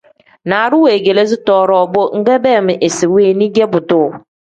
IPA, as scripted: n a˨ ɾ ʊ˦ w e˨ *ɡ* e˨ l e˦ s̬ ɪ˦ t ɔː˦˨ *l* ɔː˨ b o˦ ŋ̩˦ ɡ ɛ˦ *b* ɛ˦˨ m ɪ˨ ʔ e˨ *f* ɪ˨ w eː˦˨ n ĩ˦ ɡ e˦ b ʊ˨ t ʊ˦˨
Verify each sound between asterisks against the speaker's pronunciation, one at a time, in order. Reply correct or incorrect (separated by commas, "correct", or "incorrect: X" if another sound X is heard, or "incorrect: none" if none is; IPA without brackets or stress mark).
correct, incorrect: ɾ, correct, incorrect: s